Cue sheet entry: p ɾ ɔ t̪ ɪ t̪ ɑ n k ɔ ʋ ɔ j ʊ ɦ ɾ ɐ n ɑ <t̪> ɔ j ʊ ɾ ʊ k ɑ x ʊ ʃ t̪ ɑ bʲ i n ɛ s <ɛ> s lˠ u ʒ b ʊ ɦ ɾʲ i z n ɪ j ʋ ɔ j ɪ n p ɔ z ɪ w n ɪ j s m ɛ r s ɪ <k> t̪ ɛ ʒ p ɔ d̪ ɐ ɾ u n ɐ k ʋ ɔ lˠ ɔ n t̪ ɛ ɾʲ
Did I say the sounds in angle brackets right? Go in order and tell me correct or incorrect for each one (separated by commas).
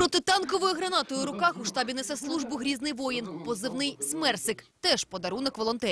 correct, correct, correct